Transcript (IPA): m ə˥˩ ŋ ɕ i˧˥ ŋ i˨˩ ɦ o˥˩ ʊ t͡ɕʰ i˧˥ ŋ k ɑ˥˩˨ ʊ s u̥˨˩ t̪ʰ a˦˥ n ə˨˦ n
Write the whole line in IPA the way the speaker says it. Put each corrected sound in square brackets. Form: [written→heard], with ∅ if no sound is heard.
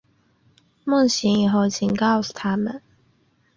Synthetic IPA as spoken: m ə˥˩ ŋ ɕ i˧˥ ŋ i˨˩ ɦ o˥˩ ʊ t͡ɕʰ [i˧˥→i˨˩] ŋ k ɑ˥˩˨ ʊ s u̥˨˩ t̪ʰ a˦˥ [n→m] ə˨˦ n